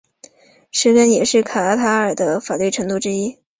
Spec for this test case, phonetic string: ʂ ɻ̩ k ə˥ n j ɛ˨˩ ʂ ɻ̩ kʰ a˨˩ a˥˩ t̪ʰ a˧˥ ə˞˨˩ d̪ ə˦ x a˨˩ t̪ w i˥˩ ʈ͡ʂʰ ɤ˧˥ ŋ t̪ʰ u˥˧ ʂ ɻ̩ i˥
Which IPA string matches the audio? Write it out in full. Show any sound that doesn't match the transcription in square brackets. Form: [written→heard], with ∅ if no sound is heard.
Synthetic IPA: ʂ ɻ̩ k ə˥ n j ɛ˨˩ ʂ ɻ̩ kʰ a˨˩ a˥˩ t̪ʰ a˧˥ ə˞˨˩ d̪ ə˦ [x→f] a˨˩ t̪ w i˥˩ ʈ͡ʂʰ ɤ˧˥ ŋ [t̪ʰ→t̪] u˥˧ [ʂ→ʈ͡ʂ] ɻ̩ i˥